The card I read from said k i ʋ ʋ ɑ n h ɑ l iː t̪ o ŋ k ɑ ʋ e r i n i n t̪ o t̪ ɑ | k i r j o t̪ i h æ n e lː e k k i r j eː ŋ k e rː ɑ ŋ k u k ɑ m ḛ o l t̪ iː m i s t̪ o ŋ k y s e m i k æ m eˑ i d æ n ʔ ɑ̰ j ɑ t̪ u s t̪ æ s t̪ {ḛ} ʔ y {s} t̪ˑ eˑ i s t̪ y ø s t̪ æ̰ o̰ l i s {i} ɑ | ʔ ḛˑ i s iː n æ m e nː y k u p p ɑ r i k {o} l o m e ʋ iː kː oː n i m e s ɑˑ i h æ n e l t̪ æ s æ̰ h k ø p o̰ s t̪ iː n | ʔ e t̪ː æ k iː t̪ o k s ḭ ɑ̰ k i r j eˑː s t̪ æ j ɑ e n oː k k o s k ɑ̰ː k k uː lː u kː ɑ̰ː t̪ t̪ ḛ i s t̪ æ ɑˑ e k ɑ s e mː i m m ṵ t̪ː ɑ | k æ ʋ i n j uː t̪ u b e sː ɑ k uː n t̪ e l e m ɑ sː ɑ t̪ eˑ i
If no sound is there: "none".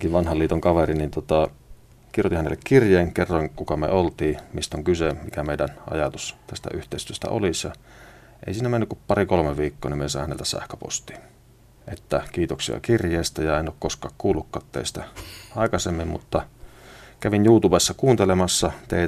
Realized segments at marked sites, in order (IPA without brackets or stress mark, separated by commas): æ̰, h, j, o